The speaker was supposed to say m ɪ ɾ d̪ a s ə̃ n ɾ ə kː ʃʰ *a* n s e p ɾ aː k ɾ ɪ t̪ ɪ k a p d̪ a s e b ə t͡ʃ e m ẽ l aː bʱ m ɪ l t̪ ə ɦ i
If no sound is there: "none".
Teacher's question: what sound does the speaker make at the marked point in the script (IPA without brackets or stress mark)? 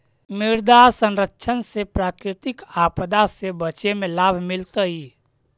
ə